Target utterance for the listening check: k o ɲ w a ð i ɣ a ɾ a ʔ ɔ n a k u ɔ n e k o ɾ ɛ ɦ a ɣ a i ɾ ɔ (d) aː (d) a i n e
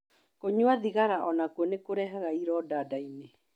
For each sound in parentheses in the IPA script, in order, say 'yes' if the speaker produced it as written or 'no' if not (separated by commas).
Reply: yes, yes